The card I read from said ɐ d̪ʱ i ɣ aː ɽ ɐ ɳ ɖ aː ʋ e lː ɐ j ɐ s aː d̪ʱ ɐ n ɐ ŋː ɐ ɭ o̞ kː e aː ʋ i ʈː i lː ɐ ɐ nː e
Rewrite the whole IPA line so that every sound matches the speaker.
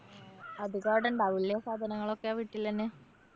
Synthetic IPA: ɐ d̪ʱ i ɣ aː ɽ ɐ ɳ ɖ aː ʋ i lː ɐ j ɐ s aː d̪ʱ ɐ n ɐ ŋː ɐ ɭ o̞ kː e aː ʋ i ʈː i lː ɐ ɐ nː e